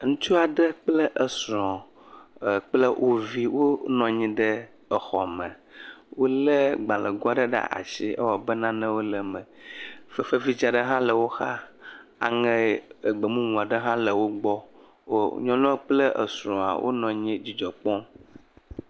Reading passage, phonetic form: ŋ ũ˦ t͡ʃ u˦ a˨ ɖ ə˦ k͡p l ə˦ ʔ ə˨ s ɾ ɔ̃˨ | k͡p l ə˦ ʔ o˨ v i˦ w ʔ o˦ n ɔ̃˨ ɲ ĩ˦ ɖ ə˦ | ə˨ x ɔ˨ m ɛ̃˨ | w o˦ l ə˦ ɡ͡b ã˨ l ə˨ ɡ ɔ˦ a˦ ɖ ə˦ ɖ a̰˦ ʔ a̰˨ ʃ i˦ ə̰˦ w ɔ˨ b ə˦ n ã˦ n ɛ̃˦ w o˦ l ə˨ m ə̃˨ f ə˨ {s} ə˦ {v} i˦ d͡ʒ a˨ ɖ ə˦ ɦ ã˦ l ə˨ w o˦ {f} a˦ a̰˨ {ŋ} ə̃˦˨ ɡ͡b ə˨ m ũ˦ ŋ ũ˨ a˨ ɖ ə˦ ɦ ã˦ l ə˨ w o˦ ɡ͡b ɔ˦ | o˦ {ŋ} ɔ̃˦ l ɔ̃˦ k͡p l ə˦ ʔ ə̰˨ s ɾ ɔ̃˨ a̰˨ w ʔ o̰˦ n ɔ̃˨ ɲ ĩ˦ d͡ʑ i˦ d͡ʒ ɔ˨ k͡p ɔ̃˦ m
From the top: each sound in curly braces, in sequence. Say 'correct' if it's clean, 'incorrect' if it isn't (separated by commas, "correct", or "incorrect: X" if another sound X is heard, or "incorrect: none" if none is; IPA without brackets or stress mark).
incorrect: f, correct, incorrect: x, correct, incorrect: ɲ